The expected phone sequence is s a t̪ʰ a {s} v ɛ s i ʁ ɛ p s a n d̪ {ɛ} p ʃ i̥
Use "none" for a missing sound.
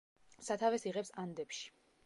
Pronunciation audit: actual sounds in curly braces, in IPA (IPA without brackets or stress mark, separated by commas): none, ɛ